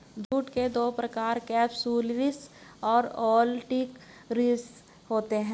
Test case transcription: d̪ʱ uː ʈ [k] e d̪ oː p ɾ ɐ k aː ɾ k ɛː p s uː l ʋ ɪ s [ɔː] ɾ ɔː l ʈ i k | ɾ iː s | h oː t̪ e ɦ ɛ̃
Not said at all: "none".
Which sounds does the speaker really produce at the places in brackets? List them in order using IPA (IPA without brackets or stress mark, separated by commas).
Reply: k, ɔː